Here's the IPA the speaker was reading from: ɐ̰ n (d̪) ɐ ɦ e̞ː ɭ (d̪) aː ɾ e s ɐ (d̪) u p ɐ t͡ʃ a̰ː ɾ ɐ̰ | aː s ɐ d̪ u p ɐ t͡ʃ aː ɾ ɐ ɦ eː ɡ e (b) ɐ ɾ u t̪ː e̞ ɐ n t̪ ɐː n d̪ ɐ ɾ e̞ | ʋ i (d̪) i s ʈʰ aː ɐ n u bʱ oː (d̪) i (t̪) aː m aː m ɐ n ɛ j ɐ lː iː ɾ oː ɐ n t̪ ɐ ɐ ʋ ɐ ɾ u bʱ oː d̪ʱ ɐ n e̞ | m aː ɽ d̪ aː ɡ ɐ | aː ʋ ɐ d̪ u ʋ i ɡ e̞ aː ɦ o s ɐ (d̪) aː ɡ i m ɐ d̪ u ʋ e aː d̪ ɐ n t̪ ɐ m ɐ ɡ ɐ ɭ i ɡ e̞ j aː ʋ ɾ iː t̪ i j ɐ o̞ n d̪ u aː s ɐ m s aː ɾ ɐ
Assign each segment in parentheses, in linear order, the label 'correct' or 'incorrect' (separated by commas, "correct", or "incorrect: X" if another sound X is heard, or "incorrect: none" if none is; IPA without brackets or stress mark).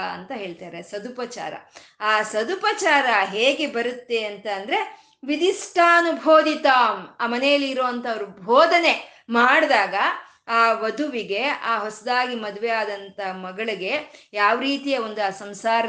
incorrect: t̪, incorrect: t̪, correct, correct, correct, correct, correct, correct